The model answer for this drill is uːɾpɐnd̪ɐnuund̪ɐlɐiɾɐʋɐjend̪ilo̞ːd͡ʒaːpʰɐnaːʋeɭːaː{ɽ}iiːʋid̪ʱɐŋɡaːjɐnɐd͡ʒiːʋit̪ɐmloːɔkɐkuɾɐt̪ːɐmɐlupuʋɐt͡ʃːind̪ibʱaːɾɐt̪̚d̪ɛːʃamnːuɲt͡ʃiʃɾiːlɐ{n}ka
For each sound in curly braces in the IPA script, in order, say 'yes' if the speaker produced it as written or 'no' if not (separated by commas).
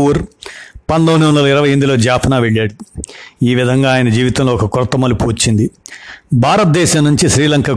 yes, no